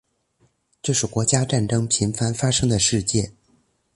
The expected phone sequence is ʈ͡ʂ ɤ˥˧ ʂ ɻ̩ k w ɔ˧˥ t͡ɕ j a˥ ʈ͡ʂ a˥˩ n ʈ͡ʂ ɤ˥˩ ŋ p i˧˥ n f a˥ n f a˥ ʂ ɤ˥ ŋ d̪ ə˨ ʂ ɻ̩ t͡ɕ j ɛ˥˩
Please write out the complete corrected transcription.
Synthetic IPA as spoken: ʈ͡ʂ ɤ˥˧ ʂ ɻ̩ k w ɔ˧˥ t͡ɕ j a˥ ʈ͡ʂ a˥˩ n ʈ͡ʂ ɤ˥ ŋ pʰ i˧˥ n f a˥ n f a˥ ʂ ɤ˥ ŋ d̪ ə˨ ʂ ɻ̩ t͡ɕ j ɛ˥˩